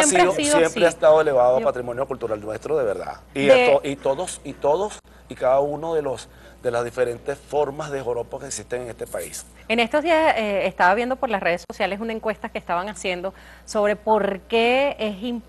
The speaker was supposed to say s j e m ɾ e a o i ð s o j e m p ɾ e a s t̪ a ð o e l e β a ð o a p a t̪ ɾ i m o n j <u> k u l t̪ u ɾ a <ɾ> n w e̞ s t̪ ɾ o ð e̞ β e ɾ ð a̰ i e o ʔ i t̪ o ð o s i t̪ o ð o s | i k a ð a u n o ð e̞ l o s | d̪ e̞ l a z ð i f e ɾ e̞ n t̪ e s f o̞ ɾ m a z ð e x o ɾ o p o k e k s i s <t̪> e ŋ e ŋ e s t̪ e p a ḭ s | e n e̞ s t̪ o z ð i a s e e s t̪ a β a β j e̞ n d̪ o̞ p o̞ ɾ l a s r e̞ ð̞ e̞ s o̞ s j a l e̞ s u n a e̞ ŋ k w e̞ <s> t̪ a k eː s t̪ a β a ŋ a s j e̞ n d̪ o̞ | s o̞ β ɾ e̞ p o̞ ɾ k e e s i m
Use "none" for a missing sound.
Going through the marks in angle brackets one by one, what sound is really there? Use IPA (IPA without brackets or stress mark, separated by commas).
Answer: o, l, t̪, s